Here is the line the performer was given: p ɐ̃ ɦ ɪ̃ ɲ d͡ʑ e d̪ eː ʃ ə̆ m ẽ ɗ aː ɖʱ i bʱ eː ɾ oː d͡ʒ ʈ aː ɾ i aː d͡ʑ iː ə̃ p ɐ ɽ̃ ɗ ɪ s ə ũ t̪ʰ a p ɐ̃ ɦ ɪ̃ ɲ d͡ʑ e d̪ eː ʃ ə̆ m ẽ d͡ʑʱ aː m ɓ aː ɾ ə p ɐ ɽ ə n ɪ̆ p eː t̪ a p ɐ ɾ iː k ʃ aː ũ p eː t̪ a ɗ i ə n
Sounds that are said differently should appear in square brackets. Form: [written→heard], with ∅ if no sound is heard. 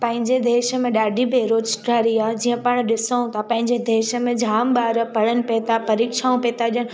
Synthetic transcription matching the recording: p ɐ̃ ɦ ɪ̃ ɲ d͡ʑ e d̪ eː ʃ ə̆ m ẽ ɗ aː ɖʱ i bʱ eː ɾ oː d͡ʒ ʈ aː ɾ i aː d͡ʑ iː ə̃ p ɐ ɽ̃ ɗ ɪ s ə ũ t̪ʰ a p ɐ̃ ɦ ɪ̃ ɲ d͡ʑ e d̪ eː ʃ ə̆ m ẽ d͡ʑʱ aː m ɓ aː ɾ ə p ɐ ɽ ə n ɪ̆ p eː t̪ a p ɐ ɾ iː k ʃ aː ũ p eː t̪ a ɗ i ə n